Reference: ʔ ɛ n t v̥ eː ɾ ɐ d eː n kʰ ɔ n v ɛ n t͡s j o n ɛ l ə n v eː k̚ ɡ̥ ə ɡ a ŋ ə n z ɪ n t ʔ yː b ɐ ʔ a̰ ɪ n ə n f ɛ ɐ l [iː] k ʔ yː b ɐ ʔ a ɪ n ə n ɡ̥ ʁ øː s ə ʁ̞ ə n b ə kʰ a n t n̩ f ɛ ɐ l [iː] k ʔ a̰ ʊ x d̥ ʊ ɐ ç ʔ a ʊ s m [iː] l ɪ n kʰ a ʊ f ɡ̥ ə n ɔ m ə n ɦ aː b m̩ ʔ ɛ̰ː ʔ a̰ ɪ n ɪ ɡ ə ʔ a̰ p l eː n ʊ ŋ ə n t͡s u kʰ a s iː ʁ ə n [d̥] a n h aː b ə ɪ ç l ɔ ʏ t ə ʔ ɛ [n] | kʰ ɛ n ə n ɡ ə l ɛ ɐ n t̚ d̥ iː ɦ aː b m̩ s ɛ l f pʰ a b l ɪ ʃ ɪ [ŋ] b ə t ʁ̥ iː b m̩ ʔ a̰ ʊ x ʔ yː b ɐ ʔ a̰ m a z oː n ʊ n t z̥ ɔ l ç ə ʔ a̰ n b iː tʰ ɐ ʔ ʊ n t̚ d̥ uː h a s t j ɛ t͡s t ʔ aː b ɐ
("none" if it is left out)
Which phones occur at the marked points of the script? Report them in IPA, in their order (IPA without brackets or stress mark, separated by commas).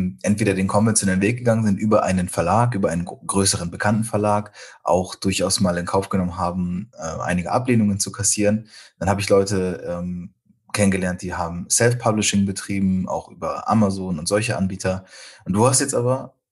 aː, aː, aː, d̥, m, ŋ